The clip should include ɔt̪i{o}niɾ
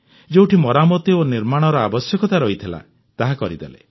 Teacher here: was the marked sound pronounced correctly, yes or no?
yes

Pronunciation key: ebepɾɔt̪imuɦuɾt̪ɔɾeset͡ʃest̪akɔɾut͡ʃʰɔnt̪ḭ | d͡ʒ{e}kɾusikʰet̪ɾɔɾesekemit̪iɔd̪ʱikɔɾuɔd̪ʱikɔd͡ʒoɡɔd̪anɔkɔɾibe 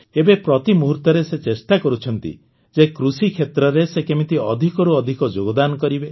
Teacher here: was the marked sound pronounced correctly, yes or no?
yes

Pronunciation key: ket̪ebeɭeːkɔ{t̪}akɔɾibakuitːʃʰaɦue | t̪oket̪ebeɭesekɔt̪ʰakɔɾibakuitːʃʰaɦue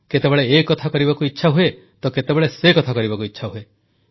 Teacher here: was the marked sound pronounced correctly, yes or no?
no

